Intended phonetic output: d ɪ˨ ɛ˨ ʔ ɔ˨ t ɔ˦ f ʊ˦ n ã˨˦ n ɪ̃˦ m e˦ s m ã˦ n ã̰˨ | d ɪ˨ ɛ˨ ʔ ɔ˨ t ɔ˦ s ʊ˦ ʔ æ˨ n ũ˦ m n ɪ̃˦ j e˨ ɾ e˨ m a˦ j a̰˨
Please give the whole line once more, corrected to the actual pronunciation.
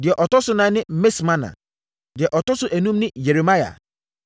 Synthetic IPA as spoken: d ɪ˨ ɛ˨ ʔ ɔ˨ t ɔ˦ s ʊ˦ n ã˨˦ n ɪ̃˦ m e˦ s m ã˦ n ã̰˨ | d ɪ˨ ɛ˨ ʔ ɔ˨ t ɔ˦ s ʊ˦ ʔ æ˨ n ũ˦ m n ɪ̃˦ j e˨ ɾ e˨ m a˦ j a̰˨